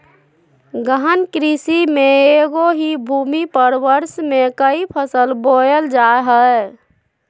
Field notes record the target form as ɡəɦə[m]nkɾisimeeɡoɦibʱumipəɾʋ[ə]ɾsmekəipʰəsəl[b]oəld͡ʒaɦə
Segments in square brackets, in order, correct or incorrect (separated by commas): incorrect, correct, correct